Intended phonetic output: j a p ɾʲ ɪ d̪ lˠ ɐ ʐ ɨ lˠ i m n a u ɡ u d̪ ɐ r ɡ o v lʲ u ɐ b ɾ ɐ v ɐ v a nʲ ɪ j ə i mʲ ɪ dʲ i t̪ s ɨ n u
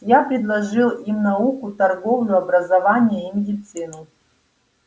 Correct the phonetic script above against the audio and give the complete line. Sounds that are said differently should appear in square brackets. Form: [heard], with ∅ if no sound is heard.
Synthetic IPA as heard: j a p ɾʲ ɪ d̪ lˠ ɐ ʐ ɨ lˠ i m n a u [k] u [t̪] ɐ r ɡ o v lʲ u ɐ b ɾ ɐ [z] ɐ v a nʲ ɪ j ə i mʲ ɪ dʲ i t̪ s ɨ n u